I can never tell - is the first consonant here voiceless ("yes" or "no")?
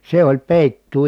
yes